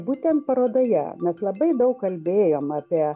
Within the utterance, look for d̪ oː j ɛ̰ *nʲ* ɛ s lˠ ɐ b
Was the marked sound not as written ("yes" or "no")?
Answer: yes